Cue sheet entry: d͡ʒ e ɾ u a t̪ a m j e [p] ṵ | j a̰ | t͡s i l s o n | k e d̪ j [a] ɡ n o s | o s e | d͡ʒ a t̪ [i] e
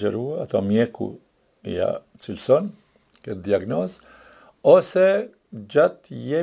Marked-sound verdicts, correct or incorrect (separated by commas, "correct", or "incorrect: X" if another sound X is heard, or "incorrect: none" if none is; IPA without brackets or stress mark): incorrect: k, correct, incorrect: j